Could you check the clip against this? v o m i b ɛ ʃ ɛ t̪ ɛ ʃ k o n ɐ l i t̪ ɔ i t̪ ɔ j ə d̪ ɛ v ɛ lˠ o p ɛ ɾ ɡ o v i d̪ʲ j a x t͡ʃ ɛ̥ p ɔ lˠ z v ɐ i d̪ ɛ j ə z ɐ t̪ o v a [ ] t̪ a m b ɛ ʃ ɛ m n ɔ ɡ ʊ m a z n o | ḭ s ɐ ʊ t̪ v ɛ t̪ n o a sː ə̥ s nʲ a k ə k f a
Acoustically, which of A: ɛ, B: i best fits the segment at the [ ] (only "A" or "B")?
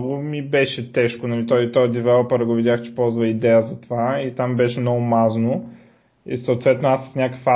B